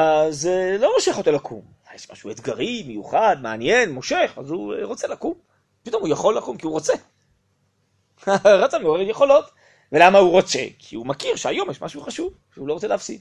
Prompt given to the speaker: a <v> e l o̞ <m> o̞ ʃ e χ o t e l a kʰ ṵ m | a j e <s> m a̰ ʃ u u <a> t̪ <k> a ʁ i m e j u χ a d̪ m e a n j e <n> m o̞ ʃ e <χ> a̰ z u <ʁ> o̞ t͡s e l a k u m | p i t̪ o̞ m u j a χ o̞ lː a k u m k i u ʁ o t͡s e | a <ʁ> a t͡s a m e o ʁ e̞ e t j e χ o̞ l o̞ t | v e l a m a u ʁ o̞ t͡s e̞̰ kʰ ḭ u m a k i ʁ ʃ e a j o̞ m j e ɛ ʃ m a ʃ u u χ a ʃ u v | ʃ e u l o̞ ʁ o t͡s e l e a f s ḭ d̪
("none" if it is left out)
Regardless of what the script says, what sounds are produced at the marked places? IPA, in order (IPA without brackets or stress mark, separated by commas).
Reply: z, m, ʃ, e, ɡ, n, χ, ʁ, ʁ